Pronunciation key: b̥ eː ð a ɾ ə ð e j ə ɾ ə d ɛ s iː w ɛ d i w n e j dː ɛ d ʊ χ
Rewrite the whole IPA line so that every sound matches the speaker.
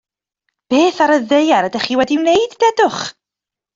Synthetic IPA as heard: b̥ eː θ a ɾ ə ð e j a ɾ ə d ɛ χ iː w ɛ d i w n e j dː ɛ d ʊ χ